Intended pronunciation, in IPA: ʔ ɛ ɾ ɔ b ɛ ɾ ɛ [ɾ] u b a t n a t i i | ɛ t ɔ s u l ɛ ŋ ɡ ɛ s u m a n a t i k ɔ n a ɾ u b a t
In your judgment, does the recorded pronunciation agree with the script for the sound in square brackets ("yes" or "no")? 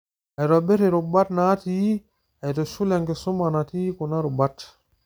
yes